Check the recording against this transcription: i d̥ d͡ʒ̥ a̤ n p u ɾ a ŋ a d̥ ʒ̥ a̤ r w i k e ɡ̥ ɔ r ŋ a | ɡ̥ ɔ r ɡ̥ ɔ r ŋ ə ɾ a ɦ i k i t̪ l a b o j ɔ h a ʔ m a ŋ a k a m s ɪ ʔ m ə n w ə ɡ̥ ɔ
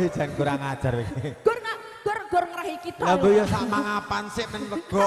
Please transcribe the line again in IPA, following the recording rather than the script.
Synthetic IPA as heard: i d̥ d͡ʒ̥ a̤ n k u ɾ a ŋ a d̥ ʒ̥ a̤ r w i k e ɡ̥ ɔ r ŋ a | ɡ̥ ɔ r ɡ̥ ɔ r ŋ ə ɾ a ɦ i k i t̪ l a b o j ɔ s a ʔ m a ŋ a p a n s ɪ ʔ m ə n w ə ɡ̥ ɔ